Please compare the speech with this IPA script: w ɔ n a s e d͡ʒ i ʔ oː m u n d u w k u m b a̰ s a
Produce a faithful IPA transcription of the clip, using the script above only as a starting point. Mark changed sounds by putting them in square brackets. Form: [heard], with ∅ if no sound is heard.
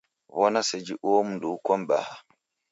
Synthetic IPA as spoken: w ɔ n a s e d͡ʒ i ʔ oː m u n d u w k [ɔ] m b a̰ [h] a

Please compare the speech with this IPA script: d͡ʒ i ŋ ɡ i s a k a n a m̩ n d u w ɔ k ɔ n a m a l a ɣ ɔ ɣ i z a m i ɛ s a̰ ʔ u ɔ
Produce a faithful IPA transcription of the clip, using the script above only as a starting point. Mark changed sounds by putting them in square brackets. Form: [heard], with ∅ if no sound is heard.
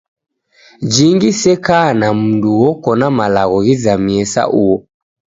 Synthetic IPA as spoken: d͡ʒ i ŋ ɡ i s [ɛ] k a n a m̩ n d u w ɔ k ɔ n a m a l a ɣ ɔ ɣ i z a m i ɛ s a̰ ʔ u ɔ

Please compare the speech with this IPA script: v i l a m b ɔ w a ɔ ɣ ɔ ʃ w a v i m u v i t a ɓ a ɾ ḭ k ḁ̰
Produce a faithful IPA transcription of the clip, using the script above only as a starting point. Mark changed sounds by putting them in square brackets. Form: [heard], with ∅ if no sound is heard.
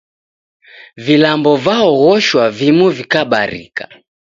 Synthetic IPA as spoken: v i l a m b ɔ [v] a ɔ ɣ ɔ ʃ w a v i m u v i [k] a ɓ a ɾ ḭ k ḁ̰

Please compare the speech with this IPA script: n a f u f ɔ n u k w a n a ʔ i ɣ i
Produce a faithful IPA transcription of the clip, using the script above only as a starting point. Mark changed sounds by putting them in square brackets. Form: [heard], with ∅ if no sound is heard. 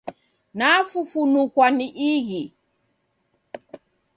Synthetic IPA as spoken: n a f u f [u] n u k w a n [i] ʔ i ɣ i

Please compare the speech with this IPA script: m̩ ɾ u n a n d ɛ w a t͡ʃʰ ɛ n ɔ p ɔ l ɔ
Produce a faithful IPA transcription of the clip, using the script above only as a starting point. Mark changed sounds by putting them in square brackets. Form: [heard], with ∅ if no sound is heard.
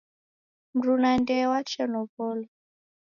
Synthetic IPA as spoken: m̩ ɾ u n a n d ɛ w a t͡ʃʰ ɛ n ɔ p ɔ l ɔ

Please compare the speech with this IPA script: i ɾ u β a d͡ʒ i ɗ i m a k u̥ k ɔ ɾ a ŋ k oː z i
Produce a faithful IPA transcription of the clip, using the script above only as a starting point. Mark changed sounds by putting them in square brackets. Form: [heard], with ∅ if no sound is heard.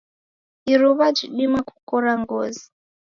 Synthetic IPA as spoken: i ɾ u β a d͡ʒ i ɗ i m a k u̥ k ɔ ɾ a ŋ [ɡ] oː z i

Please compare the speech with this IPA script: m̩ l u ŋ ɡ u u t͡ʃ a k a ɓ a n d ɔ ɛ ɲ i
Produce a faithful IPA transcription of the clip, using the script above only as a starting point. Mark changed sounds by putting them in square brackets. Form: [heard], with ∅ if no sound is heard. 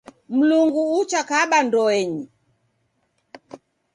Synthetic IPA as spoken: m̩ l u ŋ ɡ u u t͡ʃ a k a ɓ a n d ɔ ɛ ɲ i

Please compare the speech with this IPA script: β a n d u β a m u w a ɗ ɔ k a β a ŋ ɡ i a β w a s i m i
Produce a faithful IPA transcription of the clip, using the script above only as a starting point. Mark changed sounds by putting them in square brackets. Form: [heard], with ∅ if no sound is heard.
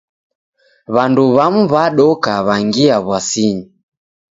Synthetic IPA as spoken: β a n d u β a m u [β] a ɗ ɔ k a β a ŋ ɡ i a β w a s i [ɲ] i

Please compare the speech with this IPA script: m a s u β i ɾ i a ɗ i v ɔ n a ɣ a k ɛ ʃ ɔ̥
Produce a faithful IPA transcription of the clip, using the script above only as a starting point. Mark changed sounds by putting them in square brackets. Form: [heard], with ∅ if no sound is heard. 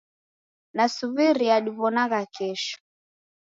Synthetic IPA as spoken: [n] a s u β i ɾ i a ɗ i [β] ɔ n a ɣ a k ɛ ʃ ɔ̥

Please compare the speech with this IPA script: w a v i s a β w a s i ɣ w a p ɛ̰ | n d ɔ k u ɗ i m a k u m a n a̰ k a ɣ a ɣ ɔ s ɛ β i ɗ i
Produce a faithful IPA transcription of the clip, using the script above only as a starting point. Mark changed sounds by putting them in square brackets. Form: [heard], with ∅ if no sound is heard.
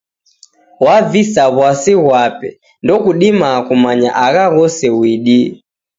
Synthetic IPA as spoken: w a v i s a β w a s i ɣ w a p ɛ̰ | n d ɔ k u ɗ i m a k u m a [ɲ] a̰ [ʔ] a ɣ a ɣ ɔ s ɛ [w] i ɗ i

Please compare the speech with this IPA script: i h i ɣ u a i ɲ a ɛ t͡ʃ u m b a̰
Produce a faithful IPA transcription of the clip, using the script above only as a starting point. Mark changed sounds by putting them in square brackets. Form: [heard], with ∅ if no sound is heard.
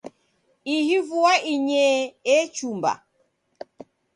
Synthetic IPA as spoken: i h i [v] u a i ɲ [ɛ] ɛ t͡ʃ u m b a̰

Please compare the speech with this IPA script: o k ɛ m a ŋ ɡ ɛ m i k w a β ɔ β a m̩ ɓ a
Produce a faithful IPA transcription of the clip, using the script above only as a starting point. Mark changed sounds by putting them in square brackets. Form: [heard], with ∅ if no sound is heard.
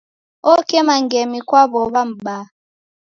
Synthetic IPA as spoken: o k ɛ m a ŋ ɡ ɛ m i k w a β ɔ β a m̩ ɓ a

